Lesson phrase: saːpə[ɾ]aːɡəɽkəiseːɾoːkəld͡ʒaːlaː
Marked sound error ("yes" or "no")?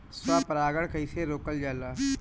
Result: no